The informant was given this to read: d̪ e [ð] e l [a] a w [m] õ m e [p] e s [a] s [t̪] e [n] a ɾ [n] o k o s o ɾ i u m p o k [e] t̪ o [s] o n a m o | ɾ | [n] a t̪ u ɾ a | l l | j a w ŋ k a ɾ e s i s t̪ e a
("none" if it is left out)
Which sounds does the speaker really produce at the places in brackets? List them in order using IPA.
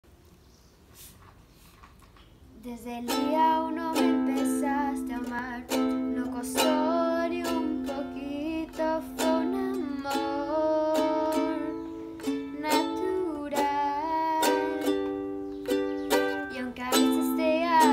z, i, n, p, a, t̪, m, n, i, f, n

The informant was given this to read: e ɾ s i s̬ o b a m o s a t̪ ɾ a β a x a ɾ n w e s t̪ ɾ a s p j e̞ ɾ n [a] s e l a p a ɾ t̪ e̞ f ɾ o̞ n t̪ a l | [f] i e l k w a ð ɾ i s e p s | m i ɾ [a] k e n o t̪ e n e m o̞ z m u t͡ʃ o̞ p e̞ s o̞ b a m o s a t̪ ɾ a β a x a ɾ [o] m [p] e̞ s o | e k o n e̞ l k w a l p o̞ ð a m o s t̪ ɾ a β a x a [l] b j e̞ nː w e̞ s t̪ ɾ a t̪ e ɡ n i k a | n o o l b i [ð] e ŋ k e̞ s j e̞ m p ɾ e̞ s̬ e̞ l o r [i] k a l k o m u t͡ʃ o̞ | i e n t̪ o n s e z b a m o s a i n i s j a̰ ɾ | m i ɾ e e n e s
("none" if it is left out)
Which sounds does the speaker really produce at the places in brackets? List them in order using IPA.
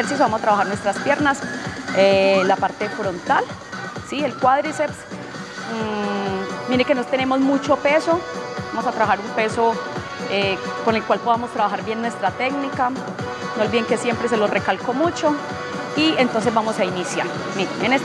a, s, e, u, p, ɾ, ð, e

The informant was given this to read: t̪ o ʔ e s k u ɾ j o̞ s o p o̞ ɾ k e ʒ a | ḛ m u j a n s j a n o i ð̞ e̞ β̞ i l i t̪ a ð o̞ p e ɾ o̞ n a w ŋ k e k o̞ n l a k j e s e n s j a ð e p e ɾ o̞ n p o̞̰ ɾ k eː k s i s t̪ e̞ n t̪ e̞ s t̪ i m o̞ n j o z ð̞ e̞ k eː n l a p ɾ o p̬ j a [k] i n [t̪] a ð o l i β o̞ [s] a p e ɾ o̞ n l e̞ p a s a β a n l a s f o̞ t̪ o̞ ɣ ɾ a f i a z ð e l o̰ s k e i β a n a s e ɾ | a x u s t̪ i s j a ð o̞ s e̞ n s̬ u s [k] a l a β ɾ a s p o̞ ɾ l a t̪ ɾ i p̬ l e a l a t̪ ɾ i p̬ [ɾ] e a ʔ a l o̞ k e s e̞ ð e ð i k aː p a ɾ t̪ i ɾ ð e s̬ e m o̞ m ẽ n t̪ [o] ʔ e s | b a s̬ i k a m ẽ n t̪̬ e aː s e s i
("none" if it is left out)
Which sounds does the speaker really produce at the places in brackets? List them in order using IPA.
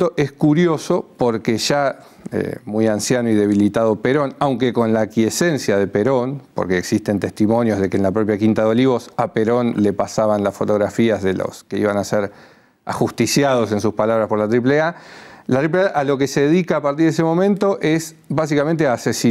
k, t̪, s, p, l, o

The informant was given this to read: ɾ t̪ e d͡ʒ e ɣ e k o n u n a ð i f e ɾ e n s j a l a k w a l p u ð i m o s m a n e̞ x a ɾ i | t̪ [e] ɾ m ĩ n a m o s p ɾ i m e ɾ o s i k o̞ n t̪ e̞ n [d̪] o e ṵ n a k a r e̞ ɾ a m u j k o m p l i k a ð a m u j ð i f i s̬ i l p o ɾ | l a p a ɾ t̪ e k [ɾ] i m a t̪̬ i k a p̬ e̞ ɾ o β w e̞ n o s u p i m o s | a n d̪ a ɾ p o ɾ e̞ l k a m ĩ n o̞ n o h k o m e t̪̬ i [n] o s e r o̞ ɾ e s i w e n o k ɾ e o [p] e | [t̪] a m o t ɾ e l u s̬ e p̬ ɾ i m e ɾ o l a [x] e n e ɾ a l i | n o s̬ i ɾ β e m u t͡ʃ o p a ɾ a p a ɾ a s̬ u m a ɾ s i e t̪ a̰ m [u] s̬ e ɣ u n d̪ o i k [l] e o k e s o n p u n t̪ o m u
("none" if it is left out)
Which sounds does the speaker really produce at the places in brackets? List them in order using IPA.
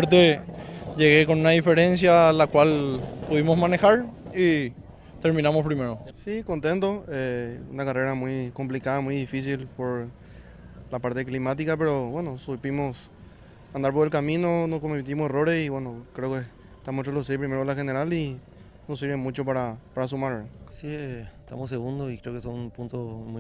e, t̪, l, m, k, t̪, x, o, ɾ

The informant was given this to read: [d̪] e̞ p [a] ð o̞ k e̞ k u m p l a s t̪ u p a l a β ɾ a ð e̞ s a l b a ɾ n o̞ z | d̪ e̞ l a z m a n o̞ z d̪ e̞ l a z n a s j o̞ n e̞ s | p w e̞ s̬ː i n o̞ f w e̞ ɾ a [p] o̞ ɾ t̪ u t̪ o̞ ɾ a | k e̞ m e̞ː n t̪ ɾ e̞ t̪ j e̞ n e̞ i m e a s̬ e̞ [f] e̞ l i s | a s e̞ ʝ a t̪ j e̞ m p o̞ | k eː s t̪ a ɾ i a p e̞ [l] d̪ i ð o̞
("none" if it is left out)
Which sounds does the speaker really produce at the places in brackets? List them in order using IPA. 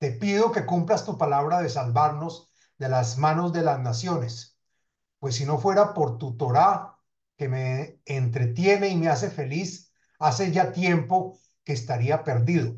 t̪, i, p, f, ɾ

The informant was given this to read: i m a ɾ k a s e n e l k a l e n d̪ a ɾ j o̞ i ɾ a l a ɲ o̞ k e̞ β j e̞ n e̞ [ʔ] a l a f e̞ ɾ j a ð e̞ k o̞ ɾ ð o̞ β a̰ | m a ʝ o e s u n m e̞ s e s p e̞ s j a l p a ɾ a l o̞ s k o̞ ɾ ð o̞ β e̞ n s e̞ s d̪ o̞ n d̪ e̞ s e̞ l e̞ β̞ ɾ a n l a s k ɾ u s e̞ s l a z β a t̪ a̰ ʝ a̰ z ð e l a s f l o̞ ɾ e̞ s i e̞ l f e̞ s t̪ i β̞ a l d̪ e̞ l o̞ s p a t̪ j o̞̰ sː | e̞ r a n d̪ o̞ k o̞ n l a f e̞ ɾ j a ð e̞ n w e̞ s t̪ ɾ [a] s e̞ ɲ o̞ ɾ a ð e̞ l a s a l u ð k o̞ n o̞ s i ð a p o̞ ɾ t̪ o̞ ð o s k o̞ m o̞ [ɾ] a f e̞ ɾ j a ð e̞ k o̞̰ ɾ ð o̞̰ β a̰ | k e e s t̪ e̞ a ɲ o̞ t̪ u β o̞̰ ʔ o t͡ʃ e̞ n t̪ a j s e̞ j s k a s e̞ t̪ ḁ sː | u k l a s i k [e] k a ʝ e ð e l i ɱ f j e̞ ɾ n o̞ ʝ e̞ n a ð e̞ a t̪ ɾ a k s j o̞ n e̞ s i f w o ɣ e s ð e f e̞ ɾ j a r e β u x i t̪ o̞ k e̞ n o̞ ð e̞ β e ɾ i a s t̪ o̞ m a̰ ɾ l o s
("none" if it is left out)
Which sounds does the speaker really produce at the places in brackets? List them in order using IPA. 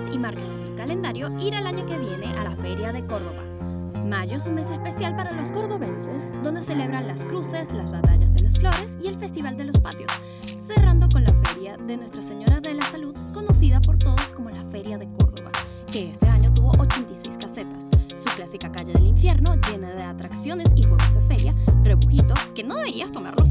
ʔ, a, l, a

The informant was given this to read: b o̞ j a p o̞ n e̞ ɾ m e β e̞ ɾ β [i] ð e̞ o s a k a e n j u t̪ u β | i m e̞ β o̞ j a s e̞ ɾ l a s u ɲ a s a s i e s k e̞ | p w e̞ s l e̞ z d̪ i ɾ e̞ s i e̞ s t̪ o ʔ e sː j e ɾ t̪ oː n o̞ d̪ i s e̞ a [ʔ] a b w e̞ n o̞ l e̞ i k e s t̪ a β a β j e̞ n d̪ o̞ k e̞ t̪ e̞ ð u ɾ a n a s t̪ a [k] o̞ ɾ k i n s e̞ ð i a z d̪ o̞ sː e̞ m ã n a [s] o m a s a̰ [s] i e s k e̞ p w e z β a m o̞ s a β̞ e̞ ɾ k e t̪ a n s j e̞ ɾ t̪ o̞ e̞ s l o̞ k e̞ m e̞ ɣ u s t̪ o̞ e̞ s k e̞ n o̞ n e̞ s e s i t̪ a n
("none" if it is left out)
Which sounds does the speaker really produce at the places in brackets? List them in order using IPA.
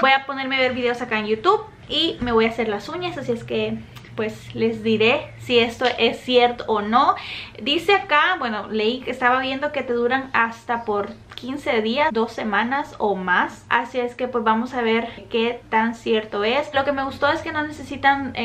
i, k, p, s, s

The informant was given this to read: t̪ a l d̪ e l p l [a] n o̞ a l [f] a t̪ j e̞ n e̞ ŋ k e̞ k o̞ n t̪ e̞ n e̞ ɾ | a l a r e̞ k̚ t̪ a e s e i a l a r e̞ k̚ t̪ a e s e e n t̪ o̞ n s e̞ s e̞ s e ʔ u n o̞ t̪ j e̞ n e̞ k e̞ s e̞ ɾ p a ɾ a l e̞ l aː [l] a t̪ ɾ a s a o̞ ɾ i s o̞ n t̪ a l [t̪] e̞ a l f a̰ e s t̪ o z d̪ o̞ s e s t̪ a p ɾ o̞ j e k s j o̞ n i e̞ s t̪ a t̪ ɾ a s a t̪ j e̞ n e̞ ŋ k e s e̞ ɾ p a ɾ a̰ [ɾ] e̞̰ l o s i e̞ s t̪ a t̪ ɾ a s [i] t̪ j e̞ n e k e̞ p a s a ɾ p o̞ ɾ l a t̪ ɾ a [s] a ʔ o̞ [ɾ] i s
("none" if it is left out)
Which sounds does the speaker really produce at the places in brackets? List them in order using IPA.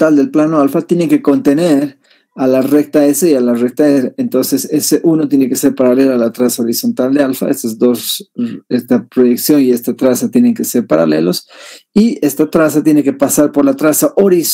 a, f, l, d̪, l, a, s, ɾ

